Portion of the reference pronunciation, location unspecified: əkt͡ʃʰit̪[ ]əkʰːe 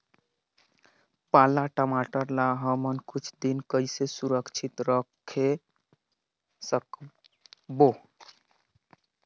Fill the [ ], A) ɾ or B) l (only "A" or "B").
A